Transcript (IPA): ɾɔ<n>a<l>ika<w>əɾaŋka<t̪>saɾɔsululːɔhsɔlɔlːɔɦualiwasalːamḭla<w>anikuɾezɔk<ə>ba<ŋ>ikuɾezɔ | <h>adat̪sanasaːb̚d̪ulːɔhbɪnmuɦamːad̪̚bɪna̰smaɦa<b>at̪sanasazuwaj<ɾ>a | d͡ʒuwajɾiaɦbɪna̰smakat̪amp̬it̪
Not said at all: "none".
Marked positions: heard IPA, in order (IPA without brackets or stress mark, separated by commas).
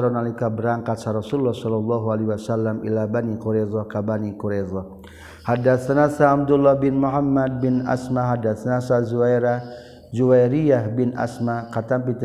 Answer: n, l, b, t̪, b, a, n, h, d, ɾ